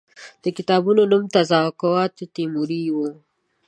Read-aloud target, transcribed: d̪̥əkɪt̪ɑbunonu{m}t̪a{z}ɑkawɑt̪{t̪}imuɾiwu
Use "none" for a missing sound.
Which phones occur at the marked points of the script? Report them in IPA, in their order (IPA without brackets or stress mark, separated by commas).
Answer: m, z, t̪